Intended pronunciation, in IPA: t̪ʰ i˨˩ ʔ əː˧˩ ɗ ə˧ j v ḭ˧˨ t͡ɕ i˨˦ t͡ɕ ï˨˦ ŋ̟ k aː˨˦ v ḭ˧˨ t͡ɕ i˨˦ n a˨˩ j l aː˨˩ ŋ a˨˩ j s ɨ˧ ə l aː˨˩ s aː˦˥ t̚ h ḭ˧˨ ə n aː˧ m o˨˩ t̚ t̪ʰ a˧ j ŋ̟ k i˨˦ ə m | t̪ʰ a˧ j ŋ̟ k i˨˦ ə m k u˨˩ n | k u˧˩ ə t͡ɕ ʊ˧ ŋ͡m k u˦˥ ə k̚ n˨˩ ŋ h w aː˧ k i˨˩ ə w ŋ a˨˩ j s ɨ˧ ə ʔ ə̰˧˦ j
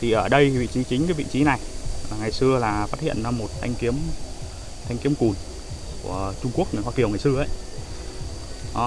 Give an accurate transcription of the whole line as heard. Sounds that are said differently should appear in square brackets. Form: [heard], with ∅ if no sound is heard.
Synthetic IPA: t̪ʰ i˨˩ ʔ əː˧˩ ɗ ə˧ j v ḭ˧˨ t͡ɕ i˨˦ t͡ɕ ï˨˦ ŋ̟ k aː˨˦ v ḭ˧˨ t͡ɕ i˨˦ n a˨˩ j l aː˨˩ ŋ a˨˩ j s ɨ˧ ə l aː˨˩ [f] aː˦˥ t̚ h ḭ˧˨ ə n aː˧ m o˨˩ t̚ t̪ʰ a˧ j ŋ̟ k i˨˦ ə m | t̪ʰ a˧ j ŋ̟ k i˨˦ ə m k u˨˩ n | k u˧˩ ə t͡ɕ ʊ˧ ŋ͡m k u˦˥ ə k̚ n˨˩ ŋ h w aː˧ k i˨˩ ə w ŋ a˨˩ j s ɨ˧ ə ʔ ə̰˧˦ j